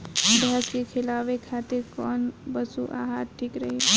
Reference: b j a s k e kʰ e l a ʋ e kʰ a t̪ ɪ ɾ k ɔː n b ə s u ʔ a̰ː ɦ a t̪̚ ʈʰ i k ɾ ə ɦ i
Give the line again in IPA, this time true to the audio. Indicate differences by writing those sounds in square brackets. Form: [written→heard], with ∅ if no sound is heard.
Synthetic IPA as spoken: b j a s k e kʰ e l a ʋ e kʰ a t̪ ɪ ɾ k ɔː n b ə s u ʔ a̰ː ɦ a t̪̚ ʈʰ i k ɾ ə ɦ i